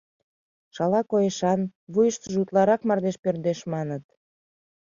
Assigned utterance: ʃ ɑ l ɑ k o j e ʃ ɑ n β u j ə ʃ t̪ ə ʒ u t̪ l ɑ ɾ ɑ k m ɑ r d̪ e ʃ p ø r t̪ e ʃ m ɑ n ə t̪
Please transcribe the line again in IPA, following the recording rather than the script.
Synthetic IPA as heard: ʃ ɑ l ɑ k o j e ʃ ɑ n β u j ə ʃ t̪ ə ʒ u t̪ l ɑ ɾ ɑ k m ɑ r d̪ e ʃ p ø r d̪ e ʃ m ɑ n ə t̪